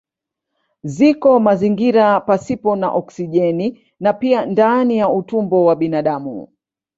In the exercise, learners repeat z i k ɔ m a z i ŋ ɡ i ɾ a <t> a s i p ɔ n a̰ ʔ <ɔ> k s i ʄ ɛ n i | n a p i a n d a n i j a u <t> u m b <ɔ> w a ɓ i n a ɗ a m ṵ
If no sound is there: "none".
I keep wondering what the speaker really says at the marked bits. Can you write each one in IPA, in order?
p, ɔ, t, ɔ

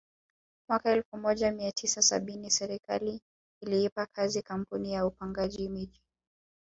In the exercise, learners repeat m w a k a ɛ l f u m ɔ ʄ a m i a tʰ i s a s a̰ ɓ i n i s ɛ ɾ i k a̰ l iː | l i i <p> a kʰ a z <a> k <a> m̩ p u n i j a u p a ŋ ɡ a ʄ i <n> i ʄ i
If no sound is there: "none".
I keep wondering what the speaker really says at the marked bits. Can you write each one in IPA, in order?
p, i, a, m

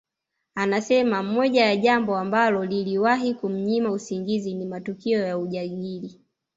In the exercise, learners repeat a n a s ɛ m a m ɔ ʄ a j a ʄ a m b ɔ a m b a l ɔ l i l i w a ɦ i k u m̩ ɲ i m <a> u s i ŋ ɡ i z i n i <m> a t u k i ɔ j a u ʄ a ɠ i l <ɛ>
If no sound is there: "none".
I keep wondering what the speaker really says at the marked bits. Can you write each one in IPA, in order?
a, m, i

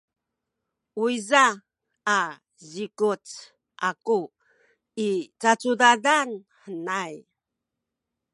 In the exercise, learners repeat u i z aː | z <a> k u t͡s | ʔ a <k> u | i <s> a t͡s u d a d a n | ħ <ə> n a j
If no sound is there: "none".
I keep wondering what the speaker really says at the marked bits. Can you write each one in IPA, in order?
i, k, t͡s, ə

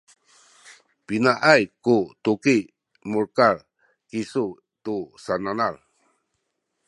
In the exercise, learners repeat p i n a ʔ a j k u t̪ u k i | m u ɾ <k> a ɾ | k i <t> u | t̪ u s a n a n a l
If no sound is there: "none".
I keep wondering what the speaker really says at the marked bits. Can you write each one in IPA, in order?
k, s

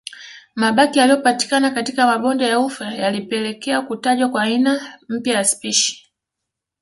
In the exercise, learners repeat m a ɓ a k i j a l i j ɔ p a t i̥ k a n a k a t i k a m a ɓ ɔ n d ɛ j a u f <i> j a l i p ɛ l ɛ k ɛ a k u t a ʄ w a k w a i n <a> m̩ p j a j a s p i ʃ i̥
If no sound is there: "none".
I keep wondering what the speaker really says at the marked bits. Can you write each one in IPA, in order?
a, a

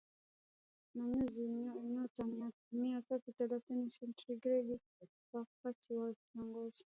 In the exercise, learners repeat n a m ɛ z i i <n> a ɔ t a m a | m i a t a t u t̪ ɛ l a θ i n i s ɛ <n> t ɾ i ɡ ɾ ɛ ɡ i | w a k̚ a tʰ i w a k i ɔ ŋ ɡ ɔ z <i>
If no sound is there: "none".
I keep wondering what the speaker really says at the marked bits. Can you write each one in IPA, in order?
n, n, i

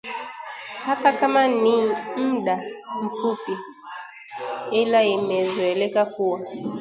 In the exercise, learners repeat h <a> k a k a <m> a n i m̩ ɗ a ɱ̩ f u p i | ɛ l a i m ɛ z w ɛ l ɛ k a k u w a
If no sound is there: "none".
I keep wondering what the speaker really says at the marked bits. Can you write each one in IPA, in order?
a, m

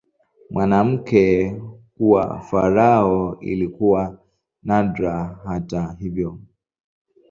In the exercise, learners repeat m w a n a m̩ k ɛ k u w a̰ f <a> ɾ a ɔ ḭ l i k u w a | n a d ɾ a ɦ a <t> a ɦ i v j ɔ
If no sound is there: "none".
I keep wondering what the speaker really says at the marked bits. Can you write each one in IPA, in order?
a, t

